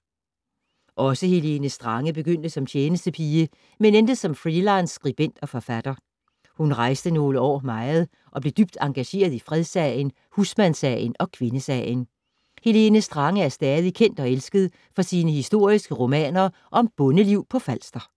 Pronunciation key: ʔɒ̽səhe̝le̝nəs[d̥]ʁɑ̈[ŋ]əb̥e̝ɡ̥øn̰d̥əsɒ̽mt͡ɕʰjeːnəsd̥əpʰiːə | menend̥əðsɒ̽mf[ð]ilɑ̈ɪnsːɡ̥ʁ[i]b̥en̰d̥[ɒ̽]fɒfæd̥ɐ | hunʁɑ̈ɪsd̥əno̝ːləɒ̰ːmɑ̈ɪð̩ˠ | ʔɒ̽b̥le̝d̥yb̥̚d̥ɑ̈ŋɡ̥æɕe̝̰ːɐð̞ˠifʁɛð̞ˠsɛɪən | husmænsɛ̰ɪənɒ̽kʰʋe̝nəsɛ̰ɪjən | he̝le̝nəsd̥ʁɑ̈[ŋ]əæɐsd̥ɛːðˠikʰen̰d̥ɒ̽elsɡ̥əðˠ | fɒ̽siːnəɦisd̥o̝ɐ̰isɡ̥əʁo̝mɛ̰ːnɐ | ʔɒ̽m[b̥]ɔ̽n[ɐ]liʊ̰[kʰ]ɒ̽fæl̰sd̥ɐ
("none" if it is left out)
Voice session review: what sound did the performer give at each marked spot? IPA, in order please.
d̥, ŋ, ʁ, i, ɒ̽, ŋ, b̥, ə, pʰ

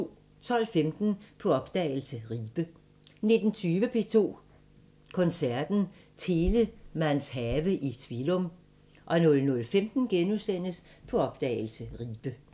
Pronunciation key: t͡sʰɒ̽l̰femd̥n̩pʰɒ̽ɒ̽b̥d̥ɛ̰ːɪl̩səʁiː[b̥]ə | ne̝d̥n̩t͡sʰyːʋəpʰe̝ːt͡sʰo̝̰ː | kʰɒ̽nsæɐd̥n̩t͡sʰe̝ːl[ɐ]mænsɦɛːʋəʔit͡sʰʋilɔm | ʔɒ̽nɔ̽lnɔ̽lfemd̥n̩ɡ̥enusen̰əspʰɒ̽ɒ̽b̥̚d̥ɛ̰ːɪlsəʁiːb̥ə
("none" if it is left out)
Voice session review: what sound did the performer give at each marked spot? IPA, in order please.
b̥, ə

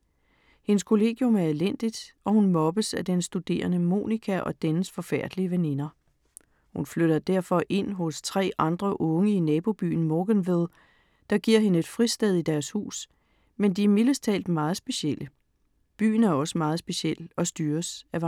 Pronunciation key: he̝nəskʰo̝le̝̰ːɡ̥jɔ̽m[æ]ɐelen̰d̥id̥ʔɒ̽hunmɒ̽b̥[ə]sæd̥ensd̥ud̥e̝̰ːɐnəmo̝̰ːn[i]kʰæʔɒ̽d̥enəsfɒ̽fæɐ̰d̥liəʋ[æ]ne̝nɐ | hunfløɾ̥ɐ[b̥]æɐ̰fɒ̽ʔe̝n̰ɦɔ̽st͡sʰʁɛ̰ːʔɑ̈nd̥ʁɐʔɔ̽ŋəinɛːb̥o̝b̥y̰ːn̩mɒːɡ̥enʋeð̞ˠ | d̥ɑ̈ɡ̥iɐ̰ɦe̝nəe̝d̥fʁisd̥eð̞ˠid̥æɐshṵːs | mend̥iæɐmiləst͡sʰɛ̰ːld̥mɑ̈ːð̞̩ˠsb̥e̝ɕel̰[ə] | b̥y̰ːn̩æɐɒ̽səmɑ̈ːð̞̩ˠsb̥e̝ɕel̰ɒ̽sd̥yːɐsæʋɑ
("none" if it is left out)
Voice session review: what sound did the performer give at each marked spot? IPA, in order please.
æ, ə, i, e, d̥, ə

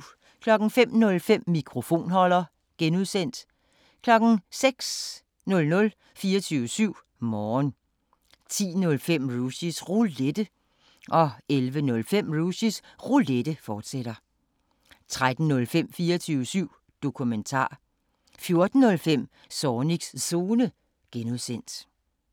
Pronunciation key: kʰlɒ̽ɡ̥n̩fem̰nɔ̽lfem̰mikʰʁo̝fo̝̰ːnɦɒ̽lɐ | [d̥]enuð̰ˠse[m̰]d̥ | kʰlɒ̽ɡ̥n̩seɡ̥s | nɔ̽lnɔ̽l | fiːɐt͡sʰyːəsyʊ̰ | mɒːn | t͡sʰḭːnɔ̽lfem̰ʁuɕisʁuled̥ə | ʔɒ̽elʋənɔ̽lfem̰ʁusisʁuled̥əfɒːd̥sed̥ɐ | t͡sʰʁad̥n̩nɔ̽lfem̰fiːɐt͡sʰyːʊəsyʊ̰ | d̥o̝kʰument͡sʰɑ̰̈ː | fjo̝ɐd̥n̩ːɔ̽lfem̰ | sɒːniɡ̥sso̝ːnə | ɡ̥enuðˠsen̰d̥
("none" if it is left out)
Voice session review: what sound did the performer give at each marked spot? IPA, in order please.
ɡ̥, n̰

